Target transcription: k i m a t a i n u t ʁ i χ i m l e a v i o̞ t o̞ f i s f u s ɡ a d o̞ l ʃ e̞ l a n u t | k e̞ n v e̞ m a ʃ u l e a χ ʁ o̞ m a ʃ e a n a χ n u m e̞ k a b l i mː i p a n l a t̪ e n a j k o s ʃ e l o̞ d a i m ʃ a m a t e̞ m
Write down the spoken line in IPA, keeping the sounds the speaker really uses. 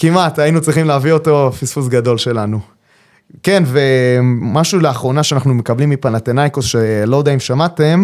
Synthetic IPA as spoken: k i m a t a i n u t͡s ʁ i χ i m l e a v i o̞ t o̞ f i s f u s ɡ a d o̞ l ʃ e̞ l a n u | k e̞ n v e̞ m a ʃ u l e a χ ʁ o̞ n a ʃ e a n a χ n u m e̞ k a b l i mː i p a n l a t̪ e n a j k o s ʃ e l o̞ d a i m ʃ a m a t e̞ m